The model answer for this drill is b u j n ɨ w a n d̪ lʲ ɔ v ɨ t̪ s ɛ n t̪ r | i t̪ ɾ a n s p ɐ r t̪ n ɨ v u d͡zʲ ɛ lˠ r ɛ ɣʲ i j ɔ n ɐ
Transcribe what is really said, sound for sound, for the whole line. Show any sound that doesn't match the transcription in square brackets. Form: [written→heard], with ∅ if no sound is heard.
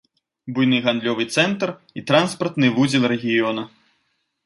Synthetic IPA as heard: b u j n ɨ [w→ɣ] a n d̪ lʲ ɔ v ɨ t̪ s ɛ n t̪ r | i t̪ ɾ a n s p ɐ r t̪ n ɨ v u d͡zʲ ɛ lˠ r ɛ ɣʲ i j ɔ n ɐ